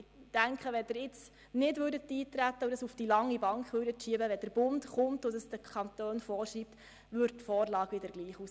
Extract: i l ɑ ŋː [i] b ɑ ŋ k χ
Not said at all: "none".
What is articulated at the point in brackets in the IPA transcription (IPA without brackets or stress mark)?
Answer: i